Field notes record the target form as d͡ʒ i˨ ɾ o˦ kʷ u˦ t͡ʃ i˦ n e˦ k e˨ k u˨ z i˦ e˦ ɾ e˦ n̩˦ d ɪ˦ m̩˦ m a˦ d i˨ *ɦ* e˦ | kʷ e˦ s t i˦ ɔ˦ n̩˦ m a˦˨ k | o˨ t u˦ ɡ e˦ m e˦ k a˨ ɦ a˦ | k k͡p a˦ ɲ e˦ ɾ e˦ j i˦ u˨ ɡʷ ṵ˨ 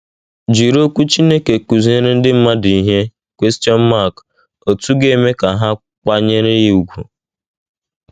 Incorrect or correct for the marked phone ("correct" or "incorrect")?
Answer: correct